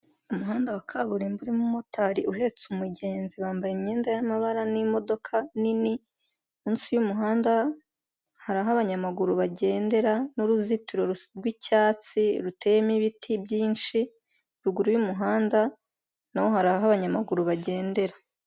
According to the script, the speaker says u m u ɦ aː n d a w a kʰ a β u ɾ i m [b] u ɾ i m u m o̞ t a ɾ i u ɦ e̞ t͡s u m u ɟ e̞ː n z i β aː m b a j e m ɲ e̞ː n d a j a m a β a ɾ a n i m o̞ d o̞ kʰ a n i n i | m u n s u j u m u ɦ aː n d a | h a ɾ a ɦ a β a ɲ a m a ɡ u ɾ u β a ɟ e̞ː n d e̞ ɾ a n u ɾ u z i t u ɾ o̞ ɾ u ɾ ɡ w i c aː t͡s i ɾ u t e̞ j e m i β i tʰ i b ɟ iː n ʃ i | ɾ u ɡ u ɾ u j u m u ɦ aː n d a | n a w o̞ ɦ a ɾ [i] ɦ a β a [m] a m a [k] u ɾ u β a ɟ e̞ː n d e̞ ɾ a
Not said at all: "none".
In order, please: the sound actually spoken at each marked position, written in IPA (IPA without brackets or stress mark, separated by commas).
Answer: b, a, ɲ, ɡ